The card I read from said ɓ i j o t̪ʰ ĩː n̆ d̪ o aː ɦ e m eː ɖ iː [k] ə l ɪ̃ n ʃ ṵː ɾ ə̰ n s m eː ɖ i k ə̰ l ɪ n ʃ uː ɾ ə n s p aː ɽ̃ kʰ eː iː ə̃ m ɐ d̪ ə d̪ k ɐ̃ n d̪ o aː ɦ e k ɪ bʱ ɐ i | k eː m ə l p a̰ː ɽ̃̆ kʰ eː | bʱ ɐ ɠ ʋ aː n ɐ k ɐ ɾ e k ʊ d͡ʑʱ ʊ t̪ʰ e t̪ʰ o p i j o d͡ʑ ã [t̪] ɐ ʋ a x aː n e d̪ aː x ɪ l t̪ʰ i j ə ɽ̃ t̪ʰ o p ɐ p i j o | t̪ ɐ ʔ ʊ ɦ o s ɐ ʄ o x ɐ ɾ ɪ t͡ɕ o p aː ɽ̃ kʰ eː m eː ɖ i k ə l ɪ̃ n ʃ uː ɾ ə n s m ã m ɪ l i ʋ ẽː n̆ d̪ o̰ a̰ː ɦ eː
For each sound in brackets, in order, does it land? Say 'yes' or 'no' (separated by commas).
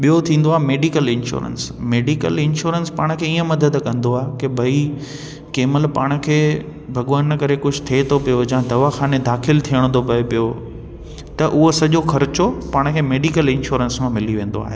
yes, no